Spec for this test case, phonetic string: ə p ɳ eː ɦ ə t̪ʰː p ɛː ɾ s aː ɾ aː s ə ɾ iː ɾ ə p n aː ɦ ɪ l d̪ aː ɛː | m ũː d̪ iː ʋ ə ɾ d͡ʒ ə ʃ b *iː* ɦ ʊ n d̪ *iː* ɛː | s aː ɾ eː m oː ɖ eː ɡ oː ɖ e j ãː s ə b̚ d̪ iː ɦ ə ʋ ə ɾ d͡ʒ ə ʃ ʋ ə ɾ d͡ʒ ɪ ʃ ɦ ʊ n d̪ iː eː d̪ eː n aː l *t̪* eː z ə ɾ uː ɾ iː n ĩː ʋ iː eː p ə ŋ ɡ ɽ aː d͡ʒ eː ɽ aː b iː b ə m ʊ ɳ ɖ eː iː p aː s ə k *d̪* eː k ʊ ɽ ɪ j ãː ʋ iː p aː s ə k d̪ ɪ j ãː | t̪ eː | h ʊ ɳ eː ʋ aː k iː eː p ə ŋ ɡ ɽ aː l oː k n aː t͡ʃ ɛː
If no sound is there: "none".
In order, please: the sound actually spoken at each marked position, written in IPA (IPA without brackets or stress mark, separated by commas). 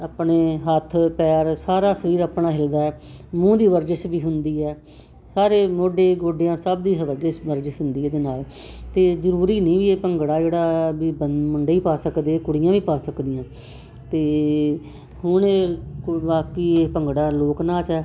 iː, iː, t̪, d̪